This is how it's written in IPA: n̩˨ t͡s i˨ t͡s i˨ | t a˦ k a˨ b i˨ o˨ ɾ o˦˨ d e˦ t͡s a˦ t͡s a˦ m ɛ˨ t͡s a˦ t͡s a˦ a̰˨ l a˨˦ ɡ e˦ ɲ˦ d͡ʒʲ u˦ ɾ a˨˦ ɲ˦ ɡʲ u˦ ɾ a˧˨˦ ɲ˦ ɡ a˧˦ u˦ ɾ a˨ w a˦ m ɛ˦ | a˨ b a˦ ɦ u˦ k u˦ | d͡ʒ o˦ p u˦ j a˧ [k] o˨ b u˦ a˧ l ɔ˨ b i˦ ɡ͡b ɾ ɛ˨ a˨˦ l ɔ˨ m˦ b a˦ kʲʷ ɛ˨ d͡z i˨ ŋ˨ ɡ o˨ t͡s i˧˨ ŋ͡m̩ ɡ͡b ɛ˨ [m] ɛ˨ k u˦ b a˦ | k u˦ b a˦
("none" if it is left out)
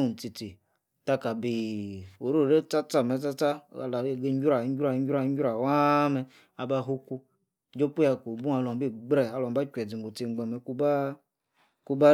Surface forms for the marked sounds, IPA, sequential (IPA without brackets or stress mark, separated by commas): k, m